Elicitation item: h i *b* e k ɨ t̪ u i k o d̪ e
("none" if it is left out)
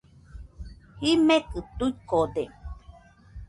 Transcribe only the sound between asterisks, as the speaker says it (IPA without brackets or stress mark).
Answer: m